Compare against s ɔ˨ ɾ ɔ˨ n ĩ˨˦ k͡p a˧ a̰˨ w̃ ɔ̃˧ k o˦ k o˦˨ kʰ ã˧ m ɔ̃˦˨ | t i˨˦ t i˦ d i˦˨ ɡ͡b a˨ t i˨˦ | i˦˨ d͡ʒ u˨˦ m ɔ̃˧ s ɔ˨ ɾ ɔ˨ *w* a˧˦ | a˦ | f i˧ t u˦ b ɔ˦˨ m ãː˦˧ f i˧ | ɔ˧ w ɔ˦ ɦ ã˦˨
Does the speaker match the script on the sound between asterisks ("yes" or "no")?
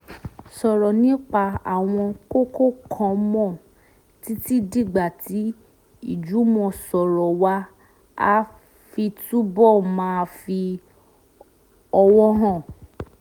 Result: yes